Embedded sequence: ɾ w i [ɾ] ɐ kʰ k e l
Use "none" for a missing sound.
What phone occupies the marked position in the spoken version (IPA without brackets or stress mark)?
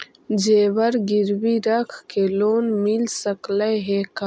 ɾ